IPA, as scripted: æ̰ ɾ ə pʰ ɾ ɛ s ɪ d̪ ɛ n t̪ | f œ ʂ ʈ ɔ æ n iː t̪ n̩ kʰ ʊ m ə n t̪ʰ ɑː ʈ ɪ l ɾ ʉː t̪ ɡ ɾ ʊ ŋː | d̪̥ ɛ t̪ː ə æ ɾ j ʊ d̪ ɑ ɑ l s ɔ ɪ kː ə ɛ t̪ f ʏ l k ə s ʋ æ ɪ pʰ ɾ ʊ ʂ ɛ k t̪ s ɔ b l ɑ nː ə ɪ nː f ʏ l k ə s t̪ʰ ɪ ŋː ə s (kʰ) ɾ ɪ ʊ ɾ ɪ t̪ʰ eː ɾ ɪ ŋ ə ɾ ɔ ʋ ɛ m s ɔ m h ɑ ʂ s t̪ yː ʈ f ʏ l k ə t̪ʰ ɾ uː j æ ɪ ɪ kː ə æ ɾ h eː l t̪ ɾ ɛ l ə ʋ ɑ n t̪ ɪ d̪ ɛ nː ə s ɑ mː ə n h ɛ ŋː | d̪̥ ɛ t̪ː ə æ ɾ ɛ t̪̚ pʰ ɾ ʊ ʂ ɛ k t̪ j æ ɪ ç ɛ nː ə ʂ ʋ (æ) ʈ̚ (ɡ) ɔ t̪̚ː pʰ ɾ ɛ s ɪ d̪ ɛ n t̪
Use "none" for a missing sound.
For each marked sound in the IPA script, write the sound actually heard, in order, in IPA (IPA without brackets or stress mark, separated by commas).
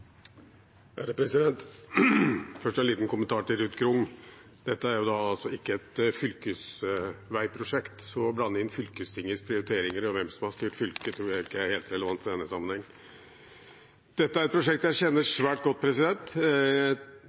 pʰ, æː, ɡ